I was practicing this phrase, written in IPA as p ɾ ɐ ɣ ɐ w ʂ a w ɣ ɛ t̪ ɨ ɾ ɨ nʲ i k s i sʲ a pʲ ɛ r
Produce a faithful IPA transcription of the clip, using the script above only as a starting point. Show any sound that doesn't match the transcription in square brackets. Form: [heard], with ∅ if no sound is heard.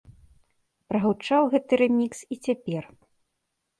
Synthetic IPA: p ɾ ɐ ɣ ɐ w [t͡ʂ] a w ɣ ɛ t̪ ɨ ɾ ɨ [mʲ] i k s i [t͡sʲ] a pʲ ɛ r